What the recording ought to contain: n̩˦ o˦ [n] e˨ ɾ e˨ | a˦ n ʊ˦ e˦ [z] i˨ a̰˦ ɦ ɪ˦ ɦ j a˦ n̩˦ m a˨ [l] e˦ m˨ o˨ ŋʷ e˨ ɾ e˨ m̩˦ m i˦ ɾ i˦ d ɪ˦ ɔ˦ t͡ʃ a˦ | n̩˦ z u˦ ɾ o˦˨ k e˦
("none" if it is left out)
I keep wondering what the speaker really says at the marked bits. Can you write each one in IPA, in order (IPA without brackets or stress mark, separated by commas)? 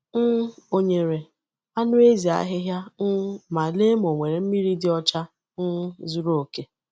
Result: ɲ, z, l